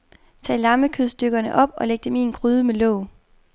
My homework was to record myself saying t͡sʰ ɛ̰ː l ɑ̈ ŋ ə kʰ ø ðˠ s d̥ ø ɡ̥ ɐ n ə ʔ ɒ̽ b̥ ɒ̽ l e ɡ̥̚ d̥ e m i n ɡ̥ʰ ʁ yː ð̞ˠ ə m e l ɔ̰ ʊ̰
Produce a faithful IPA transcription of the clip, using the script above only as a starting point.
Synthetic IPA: t͡sʰ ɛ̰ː l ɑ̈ m ə kʰ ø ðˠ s d̥ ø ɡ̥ ɐ n ə ʔ ɒ̽ b̥ ɒ̽ l e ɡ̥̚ d̥ e m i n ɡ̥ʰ ʁ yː ð̞ˠ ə m e l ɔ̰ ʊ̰